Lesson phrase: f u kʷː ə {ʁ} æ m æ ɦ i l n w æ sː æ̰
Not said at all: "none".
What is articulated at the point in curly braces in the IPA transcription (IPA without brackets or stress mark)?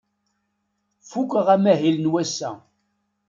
ʁ